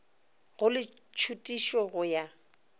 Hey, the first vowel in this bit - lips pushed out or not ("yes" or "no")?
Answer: yes